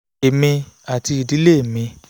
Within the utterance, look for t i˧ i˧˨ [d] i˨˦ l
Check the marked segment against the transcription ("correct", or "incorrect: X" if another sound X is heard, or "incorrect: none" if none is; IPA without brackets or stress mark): correct